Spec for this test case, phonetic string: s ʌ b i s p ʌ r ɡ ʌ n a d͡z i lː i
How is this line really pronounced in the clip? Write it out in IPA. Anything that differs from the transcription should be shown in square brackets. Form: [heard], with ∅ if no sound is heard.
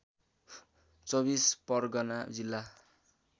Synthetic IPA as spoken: [t͡s] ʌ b i s p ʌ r ɡ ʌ n a d͡z i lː [a]